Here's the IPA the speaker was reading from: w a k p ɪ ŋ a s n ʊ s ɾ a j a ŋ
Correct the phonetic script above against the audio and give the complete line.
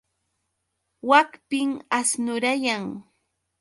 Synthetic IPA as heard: w a k p ɪ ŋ a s n ʊ ɾ a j a ŋ